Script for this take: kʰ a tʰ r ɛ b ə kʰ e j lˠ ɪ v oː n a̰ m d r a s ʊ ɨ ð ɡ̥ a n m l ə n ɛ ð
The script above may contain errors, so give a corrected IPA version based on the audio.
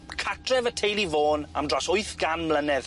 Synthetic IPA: kʰ a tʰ r ɛ v ə tʰ e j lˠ i v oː n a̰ m d r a s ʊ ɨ θ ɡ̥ a n m l ə n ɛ ð